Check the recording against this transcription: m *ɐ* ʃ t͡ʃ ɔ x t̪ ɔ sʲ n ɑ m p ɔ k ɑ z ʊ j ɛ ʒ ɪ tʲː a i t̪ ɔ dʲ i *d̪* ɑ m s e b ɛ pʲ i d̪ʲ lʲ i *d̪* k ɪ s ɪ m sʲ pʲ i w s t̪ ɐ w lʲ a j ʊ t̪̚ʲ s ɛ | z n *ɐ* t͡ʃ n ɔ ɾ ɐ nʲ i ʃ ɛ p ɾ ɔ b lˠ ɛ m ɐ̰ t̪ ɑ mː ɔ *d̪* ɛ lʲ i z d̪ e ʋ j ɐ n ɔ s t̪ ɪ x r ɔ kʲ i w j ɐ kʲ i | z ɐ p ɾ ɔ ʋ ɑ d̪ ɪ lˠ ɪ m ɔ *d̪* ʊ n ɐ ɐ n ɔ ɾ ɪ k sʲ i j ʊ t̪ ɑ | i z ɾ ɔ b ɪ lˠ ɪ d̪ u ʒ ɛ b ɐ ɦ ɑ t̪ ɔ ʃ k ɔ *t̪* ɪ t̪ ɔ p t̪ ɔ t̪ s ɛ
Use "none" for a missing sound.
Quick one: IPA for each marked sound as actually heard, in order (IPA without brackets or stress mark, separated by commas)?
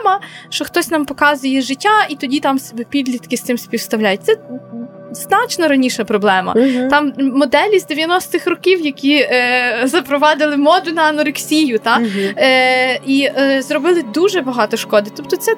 ɐ, t̪, t̪, ɑ, d̪, d̪, d̪